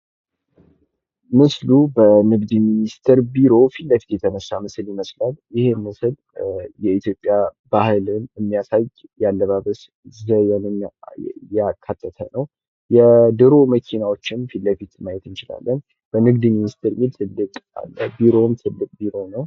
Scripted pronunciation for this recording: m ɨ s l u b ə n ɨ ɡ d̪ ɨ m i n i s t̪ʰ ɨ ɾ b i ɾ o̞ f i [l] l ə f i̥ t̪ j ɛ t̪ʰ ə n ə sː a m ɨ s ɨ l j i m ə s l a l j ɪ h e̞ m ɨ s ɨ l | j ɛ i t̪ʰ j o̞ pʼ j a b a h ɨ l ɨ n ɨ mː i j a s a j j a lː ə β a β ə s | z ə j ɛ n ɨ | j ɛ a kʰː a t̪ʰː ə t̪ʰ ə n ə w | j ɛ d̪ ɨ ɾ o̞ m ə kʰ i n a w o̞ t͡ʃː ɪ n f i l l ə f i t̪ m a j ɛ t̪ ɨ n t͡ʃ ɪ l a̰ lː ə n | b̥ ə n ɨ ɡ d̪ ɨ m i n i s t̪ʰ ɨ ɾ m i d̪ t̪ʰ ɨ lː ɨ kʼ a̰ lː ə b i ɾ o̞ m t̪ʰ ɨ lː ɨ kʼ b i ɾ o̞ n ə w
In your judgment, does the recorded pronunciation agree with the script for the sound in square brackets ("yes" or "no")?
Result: yes